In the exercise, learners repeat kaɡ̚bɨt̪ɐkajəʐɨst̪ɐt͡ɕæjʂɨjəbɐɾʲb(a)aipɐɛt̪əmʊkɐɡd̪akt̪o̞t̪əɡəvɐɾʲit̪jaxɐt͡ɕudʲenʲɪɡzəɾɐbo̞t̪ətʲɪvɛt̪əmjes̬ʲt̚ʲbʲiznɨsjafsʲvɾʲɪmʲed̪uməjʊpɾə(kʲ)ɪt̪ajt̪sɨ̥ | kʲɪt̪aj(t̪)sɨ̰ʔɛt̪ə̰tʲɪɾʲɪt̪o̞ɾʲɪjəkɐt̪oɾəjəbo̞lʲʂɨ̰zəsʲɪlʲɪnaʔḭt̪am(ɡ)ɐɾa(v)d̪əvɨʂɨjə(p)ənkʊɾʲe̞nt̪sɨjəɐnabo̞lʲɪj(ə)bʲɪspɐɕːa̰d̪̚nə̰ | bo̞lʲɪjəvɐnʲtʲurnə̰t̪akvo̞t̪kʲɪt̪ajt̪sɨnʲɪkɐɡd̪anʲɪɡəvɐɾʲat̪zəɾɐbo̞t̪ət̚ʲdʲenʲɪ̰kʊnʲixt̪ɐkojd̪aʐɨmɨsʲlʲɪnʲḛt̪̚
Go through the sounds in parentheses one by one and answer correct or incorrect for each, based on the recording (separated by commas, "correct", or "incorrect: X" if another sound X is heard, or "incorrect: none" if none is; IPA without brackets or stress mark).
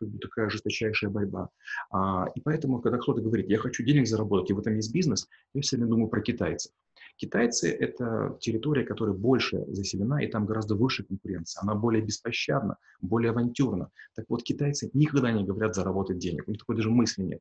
correct, correct, correct, correct, incorrect: z, incorrect: k, correct